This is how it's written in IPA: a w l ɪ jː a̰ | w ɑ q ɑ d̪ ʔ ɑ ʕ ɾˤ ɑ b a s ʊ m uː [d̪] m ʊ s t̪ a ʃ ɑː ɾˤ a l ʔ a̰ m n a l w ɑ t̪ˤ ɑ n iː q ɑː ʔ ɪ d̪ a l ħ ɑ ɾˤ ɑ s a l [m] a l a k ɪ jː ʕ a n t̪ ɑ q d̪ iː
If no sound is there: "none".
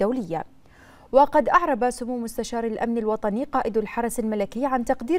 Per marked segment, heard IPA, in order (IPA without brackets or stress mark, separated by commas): none, m